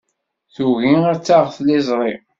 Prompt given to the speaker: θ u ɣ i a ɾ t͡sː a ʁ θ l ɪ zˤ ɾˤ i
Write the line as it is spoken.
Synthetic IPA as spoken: θ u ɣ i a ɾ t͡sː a ʁ θ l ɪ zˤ ɾˤ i